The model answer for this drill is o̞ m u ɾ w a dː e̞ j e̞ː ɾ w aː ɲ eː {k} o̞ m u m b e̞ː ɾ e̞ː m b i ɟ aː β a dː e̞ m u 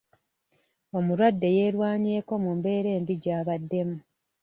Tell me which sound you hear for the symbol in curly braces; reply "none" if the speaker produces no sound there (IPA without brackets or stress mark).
k